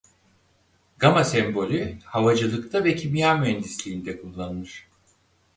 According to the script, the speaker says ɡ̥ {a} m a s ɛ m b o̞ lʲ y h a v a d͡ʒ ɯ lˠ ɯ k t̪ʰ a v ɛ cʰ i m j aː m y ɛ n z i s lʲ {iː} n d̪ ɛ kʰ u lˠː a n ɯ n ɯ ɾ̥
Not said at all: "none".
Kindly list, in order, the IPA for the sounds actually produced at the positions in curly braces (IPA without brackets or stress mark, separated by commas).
a, iː